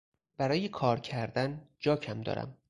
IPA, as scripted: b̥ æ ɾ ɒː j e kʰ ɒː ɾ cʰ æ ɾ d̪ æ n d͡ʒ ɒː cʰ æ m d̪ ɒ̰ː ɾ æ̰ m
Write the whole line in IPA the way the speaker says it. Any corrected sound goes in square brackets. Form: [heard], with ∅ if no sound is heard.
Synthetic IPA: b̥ æ ɾ ɒː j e kʰ ɒː ɾ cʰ æ ɾ d̪ æ n d͡ʒ ɒː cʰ æ m d̪ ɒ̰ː ɾ æ̰ m